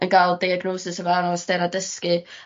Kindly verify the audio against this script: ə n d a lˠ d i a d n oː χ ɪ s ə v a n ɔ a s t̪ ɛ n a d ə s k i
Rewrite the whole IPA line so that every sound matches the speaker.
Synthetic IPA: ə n ɡ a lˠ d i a ɡ n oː s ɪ s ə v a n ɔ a s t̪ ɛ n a d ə s k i

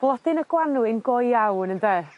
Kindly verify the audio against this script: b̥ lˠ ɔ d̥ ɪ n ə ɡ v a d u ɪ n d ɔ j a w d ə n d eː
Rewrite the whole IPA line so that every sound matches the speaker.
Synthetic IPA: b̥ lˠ ɔ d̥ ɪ n ə ɡ w a n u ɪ n ɡ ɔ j a w n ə n d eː

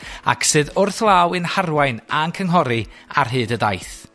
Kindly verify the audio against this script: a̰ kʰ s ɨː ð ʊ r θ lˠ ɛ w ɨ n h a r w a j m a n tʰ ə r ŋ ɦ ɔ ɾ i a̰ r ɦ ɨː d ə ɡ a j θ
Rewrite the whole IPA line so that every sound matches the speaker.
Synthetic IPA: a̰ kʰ s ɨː ð ʊ r θ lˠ a w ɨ n h a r w a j n a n kʰ ə ŋ ɦ ɔ ɾ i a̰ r ɦ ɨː d ə d a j θ

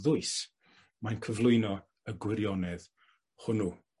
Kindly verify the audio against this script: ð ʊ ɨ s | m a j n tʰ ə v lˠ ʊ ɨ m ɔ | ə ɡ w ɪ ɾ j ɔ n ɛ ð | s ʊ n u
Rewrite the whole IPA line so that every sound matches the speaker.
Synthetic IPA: ð ʊ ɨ s | m a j n kʰ ə v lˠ ʊ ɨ n ɔ | ə ɡ w ɪ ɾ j ɔ n ɛ ð | h ʊ n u

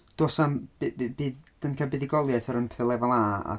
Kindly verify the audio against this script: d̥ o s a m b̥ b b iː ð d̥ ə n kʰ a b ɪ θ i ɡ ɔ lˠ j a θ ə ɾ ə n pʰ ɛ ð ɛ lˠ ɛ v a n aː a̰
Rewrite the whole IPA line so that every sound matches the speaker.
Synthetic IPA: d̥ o s a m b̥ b b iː ð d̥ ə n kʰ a b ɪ ð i ɡ ɔ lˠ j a θ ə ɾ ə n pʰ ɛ θ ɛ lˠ ɛ v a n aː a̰

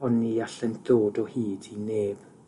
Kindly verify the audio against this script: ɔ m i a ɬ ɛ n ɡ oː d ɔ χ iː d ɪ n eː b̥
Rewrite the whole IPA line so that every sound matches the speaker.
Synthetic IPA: ɔ n i a ɬ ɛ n d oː d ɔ h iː d i n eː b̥

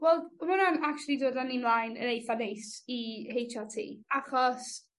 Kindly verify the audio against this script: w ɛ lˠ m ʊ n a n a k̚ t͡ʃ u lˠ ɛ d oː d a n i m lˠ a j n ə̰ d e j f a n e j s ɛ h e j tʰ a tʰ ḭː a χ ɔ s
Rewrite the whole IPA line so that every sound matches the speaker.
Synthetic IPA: w ɛ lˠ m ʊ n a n a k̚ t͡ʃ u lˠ i d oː d a n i m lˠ a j n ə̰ n e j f a n e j s i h e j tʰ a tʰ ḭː a χ ɔ s

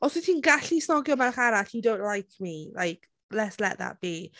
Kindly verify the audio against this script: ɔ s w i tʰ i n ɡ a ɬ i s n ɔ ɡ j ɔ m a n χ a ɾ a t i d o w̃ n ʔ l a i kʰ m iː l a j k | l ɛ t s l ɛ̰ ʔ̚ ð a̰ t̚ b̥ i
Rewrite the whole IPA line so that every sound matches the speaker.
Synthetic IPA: ɔ s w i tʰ i n ɡ a ɬ i s n ɔ ɡ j ɔ m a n χ a ɾ a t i d o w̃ n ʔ l a j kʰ m i l a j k | l ɛ t s l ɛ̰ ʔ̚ ð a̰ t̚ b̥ i

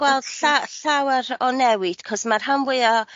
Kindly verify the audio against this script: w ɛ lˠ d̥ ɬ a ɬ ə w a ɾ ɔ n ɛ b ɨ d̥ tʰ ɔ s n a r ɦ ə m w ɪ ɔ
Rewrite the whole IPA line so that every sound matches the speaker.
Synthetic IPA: w ɛ lˠ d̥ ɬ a ɬ a w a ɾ ɔ n ɛ w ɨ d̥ kʰ ɔ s m a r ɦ a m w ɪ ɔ

